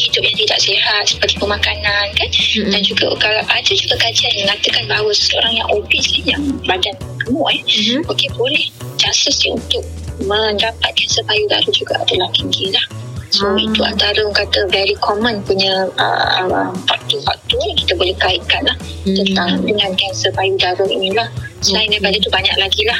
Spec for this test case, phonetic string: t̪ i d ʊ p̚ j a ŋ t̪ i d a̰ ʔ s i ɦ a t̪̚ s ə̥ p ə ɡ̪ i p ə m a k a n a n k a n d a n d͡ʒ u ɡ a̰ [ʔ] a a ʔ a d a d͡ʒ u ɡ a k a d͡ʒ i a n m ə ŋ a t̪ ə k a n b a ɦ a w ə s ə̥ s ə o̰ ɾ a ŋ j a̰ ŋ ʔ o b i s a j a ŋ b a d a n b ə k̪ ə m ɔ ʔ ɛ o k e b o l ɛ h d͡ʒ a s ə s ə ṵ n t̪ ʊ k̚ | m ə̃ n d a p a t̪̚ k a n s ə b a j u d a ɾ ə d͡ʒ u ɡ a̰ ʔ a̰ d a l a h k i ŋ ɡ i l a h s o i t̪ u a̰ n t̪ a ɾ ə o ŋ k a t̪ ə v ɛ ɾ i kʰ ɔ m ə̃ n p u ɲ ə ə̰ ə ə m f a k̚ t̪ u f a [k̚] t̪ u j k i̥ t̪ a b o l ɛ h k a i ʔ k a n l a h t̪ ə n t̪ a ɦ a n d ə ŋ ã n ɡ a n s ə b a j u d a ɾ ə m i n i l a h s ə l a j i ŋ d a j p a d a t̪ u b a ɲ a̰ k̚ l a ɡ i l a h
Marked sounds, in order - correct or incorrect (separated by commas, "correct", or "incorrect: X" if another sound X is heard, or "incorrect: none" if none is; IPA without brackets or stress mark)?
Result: incorrect: k, correct